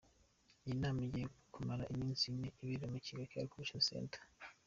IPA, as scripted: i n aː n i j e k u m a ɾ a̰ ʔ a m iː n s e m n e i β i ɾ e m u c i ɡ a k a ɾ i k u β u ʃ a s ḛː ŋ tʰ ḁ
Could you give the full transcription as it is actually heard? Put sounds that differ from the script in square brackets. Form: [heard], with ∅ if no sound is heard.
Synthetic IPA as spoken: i n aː [m] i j e k u m a ɾ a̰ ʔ [i] m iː n s [i] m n e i β i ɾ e m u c i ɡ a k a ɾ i k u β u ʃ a s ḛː [n] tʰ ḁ